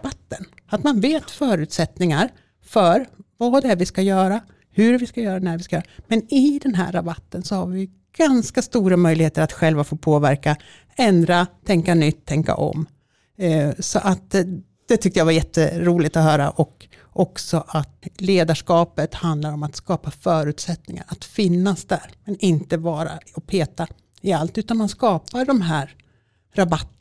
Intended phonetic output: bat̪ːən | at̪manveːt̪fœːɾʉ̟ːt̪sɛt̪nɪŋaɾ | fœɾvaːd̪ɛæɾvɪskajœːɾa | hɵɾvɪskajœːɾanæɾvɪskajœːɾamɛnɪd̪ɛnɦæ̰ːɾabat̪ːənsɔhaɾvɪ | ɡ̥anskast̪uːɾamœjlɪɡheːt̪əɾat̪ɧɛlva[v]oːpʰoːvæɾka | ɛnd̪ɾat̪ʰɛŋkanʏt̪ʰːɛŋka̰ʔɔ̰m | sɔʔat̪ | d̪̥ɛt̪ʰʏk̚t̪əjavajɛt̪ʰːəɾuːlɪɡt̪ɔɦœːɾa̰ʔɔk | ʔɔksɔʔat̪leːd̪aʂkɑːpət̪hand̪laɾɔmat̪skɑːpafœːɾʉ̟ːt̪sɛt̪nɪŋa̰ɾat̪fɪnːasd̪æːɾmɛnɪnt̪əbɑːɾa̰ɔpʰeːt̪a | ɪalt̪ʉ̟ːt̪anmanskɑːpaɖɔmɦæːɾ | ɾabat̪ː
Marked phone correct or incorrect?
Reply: incorrect